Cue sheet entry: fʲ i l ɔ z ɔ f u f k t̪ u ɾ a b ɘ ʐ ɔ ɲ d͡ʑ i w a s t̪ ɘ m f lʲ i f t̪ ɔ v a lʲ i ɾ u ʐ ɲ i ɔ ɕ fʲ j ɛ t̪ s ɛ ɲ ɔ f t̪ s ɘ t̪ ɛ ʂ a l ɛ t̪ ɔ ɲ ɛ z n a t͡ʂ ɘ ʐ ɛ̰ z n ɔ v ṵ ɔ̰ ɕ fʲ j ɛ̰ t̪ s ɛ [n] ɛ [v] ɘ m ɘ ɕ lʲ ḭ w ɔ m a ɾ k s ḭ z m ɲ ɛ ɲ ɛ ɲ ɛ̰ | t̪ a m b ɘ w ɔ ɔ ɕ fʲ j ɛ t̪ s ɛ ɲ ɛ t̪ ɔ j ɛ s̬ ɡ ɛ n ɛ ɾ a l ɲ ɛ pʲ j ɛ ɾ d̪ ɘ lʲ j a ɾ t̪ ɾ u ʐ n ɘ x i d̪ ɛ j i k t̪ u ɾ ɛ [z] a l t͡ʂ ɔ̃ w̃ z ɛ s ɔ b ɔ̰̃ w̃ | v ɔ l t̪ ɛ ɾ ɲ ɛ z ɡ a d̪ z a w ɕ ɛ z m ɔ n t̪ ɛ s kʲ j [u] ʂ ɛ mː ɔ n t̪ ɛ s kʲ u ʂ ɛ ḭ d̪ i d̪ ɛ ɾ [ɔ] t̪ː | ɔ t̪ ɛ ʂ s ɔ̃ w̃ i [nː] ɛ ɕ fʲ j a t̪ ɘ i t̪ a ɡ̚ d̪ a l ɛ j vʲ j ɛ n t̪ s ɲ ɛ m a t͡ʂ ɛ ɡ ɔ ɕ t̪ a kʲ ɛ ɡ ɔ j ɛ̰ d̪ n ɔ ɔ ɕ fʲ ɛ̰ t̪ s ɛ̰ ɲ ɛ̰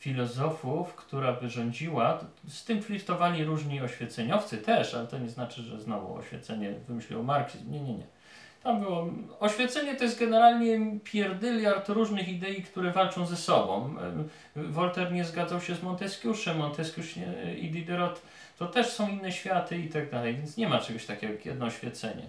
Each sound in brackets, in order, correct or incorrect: incorrect: ɲ, correct, incorrect: v, correct, correct, correct

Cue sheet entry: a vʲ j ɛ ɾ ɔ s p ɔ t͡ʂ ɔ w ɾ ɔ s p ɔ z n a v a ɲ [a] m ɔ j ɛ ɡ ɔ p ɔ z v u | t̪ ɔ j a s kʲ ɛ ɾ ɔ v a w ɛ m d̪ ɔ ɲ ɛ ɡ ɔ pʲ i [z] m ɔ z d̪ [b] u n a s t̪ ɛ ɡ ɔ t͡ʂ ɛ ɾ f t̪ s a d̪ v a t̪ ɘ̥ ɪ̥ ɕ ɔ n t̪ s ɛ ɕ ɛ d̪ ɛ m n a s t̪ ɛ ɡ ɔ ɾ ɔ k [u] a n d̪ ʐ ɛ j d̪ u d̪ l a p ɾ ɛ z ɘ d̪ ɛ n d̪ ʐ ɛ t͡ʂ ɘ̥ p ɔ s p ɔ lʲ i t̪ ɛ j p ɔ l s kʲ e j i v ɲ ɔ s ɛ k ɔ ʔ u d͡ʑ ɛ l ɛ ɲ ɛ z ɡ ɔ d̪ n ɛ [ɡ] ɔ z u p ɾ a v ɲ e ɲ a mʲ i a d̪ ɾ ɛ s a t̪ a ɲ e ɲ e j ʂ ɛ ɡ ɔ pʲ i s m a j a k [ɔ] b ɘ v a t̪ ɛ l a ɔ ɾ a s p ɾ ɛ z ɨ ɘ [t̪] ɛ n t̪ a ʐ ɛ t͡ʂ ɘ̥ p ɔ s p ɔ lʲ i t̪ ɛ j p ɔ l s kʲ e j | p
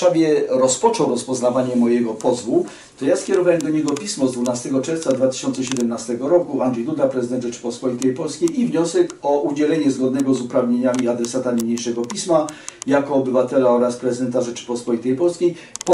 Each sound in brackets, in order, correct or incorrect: incorrect: ɛ, incorrect: s, incorrect: v, correct, correct, incorrect: ɔː, incorrect: d̪

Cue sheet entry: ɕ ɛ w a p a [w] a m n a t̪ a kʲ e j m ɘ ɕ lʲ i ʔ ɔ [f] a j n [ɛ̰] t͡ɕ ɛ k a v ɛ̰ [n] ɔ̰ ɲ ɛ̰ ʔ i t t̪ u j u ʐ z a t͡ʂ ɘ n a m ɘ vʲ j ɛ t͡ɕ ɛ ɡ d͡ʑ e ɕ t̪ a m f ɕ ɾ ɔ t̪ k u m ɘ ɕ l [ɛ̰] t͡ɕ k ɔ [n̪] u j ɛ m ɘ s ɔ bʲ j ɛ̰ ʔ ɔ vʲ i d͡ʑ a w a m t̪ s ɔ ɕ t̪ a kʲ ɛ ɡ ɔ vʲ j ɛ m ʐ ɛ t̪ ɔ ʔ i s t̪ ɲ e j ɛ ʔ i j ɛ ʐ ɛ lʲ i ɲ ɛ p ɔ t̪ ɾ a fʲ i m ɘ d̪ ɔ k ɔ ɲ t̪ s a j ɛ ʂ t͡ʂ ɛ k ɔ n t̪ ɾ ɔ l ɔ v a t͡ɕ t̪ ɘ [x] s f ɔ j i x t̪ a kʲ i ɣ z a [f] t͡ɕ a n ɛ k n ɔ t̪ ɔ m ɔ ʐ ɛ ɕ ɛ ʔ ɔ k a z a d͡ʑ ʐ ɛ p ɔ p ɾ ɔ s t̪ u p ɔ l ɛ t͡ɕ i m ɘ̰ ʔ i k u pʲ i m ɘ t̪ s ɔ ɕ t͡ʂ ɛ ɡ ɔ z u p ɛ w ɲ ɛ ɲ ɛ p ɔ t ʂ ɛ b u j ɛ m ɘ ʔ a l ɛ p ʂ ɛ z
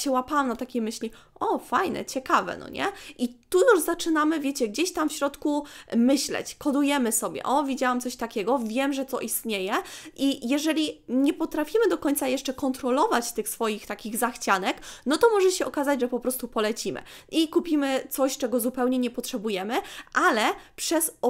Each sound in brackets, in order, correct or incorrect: correct, correct, correct, correct, correct, incorrect: d̪, correct, incorrect: x

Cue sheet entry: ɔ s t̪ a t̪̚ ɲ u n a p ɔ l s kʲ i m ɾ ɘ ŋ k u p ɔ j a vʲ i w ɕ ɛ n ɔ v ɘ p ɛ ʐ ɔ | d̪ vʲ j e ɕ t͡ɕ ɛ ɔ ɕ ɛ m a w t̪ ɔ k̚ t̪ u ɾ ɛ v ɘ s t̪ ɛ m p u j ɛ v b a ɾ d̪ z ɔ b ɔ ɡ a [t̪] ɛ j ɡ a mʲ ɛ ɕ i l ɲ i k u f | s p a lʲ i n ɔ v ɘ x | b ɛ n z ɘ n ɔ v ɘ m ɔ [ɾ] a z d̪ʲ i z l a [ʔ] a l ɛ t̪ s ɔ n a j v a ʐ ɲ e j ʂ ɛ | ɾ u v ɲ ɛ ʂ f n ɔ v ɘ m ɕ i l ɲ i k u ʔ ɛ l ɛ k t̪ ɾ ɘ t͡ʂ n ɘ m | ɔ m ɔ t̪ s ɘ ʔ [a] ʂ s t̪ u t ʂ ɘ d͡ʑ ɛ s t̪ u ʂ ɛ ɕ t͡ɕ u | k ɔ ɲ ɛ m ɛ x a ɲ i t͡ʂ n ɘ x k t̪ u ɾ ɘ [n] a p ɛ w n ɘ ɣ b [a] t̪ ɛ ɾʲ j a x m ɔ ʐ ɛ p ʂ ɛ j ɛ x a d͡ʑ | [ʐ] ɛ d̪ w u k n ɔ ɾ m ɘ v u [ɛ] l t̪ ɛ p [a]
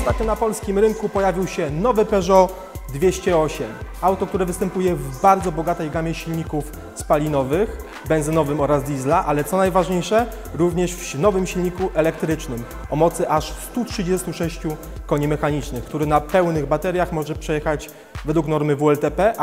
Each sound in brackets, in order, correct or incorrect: correct, correct, correct, correct, correct, correct, incorrect: v, correct, incorrect: ɛ

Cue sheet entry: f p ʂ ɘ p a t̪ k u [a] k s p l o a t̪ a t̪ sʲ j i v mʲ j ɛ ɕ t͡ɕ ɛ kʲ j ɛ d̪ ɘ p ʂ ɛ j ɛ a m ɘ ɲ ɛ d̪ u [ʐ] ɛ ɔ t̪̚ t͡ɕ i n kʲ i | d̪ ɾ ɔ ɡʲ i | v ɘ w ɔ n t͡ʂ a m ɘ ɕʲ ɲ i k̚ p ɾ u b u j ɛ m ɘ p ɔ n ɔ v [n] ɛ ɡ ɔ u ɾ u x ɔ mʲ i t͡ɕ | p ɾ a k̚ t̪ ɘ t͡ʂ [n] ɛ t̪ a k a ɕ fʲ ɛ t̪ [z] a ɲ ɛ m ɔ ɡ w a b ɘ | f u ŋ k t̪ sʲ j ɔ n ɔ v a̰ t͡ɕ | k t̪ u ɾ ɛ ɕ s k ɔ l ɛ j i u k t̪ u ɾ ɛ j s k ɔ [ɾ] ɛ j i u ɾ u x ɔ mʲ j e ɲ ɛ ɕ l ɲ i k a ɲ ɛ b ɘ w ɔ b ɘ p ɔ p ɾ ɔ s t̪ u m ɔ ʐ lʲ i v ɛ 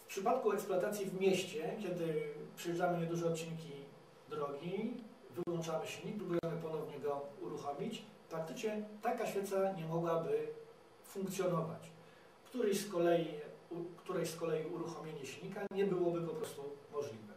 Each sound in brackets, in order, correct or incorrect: incorrect: ɛ, correct, incorrect: ɲ, incorrect: ɲ, incorrect: s, incorrect: l

